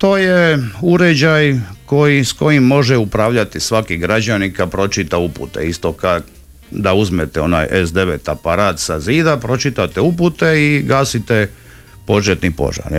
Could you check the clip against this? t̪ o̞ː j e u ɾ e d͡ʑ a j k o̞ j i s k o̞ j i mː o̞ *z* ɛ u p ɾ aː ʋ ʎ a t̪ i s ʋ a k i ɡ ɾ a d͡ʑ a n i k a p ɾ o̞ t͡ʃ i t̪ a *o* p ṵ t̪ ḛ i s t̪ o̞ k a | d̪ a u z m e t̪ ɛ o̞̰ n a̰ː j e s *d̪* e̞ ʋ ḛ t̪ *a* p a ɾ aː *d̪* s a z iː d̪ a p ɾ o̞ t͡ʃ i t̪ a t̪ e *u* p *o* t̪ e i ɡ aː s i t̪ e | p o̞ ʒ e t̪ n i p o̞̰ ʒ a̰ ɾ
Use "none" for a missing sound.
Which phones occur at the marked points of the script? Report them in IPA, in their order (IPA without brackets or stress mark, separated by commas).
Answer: ʒ, u, d̪, a, t̪, u, u